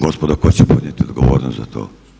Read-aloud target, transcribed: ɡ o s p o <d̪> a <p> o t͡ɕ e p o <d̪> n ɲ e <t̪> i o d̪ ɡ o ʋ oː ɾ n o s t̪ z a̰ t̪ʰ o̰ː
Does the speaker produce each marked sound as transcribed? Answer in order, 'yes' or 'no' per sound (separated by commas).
yes, no, yes, yes